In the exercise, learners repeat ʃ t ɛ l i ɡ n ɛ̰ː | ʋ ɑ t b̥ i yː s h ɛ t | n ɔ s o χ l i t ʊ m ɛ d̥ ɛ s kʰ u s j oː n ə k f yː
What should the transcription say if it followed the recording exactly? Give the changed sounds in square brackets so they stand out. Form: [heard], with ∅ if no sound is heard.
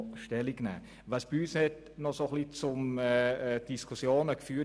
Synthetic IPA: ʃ t ɛ l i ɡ n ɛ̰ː | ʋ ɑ [s] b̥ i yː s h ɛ t | n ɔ s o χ l i [t͡s] ʊ m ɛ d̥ [i] s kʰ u s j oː n ə k f yː